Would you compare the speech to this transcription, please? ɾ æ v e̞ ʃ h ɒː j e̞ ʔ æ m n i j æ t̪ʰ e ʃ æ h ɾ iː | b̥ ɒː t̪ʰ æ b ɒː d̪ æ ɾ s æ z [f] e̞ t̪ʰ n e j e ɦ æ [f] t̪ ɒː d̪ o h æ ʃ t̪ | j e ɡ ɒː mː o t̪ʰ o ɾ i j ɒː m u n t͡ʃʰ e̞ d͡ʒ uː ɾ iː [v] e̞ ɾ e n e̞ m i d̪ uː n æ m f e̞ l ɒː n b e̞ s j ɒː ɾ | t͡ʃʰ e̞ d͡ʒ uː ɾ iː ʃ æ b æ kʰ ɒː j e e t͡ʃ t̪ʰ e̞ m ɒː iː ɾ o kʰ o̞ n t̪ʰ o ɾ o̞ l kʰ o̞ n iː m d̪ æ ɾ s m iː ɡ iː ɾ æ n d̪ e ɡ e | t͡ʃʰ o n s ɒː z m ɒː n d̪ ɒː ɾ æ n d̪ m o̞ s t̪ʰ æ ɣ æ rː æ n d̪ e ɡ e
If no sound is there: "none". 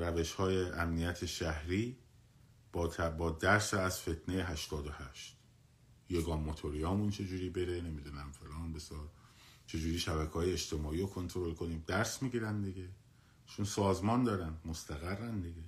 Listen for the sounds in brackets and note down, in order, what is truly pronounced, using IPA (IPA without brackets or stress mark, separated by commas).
f, ʃ, b